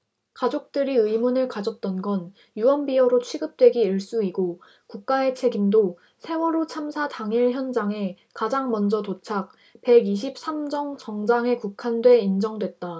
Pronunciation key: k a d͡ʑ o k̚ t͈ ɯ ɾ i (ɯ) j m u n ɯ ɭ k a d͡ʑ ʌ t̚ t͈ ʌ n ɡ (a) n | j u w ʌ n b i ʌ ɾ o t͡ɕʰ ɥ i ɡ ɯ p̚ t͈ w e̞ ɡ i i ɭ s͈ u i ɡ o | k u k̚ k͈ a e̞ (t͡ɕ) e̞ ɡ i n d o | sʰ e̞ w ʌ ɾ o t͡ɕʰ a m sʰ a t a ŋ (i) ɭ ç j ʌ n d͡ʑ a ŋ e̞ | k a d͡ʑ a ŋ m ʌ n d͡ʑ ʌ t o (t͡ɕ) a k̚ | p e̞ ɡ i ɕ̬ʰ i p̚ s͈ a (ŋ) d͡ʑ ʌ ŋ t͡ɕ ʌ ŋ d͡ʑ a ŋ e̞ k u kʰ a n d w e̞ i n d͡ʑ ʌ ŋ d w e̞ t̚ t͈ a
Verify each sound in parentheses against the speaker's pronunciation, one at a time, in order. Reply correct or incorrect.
correct, incorrect, incorrect, correct, incorrect, incorrect

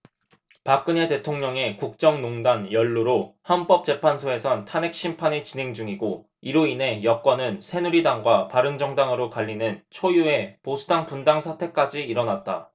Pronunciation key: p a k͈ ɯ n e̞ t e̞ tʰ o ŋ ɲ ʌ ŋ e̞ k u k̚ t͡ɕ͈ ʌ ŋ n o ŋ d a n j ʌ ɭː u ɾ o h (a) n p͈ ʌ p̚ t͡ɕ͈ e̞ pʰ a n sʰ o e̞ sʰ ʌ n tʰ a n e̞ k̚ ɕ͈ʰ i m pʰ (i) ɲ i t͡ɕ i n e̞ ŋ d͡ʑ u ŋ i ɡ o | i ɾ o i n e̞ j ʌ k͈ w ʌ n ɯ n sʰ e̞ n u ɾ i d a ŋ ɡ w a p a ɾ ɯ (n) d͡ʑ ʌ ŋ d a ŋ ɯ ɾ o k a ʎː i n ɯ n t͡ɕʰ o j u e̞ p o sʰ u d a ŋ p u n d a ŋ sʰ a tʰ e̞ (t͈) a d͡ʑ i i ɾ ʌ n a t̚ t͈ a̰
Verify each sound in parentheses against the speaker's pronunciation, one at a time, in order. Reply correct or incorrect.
correct, incorrect, incorrect, incorrect

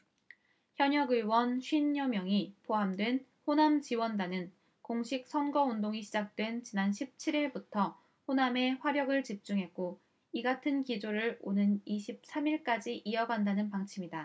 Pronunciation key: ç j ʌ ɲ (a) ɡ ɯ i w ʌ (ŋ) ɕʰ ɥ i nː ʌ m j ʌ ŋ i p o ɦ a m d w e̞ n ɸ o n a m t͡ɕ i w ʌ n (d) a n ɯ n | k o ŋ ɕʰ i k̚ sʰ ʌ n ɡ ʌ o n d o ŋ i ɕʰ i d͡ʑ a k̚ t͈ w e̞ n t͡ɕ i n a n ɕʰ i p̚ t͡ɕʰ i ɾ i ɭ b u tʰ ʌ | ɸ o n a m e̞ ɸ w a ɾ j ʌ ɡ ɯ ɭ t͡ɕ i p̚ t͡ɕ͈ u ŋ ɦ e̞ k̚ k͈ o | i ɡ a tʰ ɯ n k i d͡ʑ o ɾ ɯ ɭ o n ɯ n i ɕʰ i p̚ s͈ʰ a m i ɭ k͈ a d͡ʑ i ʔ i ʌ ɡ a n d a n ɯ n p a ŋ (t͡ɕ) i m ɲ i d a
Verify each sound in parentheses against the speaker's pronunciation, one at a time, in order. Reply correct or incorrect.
incorrect, incorrect, correct, incorrect

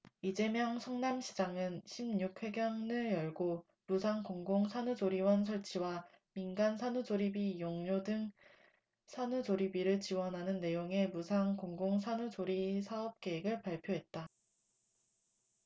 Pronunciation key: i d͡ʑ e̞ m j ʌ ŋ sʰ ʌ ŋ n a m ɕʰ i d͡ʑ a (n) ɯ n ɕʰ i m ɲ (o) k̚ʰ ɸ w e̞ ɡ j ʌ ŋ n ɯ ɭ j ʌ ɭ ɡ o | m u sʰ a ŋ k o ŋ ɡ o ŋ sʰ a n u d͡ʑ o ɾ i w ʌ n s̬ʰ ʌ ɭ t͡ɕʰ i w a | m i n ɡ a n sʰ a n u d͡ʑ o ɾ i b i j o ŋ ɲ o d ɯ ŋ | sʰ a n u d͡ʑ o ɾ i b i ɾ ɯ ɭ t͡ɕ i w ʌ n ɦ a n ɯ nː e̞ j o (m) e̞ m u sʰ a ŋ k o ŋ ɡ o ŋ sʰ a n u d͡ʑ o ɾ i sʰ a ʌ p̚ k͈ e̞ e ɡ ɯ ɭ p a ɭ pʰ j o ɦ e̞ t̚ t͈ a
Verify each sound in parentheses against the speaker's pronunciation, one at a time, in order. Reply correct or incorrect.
incorrect, incorrect, incorrect

